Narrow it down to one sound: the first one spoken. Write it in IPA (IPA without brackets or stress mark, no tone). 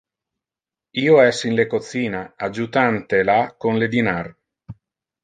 iː